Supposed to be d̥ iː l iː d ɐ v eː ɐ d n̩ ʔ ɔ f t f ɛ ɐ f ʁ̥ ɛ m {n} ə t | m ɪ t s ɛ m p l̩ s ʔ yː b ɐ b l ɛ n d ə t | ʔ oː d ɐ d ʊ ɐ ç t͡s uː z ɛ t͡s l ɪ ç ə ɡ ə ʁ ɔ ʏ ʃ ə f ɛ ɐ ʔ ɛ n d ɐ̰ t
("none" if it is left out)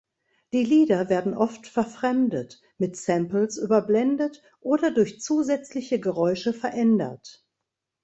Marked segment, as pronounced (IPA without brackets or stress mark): d